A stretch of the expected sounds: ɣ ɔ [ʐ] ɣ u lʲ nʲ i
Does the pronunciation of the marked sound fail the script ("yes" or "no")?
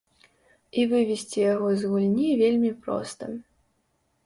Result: yes